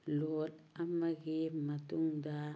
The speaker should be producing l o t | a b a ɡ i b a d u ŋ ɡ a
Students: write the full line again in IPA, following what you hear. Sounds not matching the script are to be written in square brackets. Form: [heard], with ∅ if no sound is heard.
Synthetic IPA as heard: l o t | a [m] a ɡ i [m] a [t] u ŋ [d] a